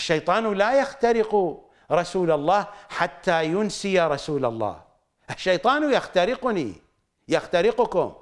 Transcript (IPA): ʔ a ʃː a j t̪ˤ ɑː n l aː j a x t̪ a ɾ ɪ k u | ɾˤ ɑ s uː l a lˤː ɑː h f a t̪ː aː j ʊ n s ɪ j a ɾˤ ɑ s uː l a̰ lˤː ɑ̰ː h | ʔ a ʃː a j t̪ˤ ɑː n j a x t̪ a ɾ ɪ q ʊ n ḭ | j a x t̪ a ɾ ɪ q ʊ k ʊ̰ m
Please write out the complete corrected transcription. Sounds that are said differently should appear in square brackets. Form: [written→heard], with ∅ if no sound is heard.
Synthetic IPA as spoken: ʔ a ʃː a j t̪ˤ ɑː n l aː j a x t̪ a ɾ ɪ [k→q] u | ɾˤ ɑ s uː l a lˤː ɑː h [f→ħ] a t̪ː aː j ʊ n s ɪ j a ɾˤ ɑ s uː l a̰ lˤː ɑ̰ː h | ʔ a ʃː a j t̪ˤ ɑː n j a x t̪ a ɾ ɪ q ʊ n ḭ | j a x t̪ a ɾ ɪ q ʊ k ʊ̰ m